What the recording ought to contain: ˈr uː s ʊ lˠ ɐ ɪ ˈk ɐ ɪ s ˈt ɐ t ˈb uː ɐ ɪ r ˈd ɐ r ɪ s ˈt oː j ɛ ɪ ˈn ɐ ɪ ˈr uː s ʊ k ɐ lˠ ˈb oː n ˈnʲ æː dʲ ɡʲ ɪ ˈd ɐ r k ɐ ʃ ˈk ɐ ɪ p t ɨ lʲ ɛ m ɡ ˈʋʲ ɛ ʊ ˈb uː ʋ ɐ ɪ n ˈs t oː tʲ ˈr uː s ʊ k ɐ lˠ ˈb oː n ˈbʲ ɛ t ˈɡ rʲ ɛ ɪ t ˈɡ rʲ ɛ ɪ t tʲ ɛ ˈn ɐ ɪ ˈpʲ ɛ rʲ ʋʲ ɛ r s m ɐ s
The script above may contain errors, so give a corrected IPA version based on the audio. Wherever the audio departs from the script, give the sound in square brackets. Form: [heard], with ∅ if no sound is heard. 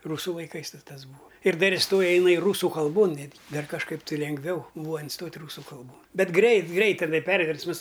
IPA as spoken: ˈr uː s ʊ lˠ ɐ ɪ ˈk ɐ ɪ s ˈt ɐ [s] ˈb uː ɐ ɪ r ˈd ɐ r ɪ s ˈt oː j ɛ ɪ ˈn ɐ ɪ ˈr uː s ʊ k ɐ lˠ ˈb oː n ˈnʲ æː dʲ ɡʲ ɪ ˈd ɐ r k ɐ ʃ ˈk ɐ ɪ p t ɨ lʲ ɛ [ŋ] ɡ ˈʋʲ ɛ ʊ ˈb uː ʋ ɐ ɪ n ˈs t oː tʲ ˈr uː s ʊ k ɐ lˠ ˈb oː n ˈbʲ ɛ t ˈɡ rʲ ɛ ɪ t ˈɡ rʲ ɛ ɪ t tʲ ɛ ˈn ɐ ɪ ˈpʲ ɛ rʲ ʋʲ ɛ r s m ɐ s